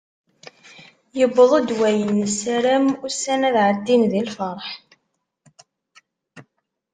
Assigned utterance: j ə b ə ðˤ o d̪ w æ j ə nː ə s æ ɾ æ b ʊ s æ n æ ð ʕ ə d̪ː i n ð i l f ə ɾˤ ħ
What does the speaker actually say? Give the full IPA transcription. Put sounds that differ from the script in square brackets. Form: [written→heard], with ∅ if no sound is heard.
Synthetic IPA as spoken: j ə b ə ðˤ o d̪ w æ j ə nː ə s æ ɾ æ [b→m] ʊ s æ n æ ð ʕ ə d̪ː i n ð i l f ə ɾˤ ħ